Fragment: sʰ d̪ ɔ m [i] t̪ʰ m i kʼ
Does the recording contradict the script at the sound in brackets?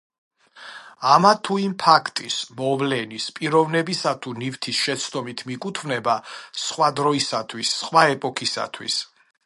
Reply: no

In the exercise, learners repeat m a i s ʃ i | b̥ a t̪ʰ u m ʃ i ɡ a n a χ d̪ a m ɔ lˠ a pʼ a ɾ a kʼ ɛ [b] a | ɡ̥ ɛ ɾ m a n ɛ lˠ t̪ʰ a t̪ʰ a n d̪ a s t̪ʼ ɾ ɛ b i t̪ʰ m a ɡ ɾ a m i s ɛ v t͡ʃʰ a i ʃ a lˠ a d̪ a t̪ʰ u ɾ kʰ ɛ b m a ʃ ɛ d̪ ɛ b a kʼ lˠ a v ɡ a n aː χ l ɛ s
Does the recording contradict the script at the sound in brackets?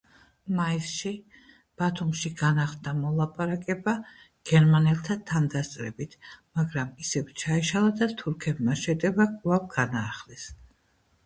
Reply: no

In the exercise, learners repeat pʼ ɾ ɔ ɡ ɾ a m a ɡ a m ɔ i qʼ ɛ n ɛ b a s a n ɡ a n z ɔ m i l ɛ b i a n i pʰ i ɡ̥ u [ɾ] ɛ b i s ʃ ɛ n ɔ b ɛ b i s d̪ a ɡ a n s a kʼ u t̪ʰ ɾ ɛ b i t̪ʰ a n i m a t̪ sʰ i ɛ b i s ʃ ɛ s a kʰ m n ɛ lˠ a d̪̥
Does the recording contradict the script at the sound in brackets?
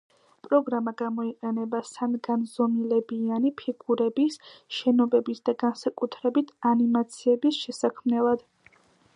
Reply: no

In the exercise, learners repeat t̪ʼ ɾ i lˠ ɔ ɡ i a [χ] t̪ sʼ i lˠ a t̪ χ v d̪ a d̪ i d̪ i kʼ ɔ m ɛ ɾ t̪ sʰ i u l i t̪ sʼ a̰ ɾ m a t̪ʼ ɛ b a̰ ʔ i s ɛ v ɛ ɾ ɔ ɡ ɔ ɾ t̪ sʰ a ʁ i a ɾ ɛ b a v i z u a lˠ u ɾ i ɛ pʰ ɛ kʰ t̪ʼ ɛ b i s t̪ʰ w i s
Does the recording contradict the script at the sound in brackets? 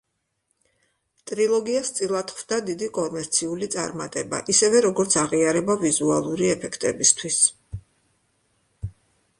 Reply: yes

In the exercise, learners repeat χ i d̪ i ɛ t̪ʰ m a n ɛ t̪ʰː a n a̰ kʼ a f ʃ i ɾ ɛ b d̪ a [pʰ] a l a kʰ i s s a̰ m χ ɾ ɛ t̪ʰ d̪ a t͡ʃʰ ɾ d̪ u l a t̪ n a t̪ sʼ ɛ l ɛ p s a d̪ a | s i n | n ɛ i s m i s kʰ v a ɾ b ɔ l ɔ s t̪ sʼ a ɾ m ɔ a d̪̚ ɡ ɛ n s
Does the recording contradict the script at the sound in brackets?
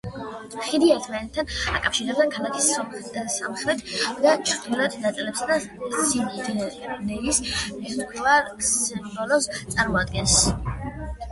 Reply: yes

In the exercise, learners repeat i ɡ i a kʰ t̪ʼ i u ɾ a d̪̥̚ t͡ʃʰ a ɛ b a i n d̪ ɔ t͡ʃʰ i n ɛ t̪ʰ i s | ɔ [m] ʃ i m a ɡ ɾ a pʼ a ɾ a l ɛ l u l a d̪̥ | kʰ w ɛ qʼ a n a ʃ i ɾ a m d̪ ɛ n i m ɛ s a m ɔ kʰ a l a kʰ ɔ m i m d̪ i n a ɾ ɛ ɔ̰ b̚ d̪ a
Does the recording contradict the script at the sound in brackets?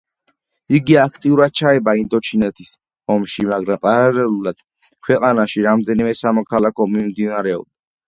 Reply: no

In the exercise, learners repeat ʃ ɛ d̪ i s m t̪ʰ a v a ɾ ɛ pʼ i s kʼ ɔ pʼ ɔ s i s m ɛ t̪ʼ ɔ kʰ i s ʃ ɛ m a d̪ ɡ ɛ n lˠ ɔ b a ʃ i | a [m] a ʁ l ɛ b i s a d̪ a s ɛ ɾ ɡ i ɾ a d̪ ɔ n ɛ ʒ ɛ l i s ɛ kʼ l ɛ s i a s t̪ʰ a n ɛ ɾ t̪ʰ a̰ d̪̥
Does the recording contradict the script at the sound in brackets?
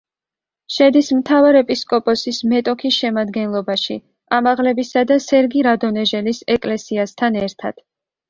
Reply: no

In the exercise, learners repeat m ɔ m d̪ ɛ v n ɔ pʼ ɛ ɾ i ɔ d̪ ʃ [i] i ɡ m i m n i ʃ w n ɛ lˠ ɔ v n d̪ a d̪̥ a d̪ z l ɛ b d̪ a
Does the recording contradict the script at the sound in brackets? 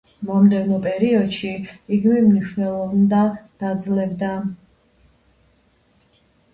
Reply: no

